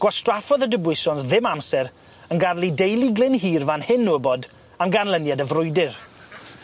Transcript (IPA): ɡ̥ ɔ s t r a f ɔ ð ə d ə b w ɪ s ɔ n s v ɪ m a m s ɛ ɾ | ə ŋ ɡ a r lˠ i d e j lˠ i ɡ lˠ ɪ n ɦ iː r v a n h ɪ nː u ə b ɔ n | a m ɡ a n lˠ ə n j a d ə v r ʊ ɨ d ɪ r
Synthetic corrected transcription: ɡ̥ ɔ s t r a f ɔ ð ə d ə b w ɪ s ɔ n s ð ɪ m a m s ɛ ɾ | ə n ɡ a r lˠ i d e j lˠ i ɡ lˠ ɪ n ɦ iː r v a n h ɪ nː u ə b ɔ d | a m ɡ a n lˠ ə n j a d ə v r ʊ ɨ d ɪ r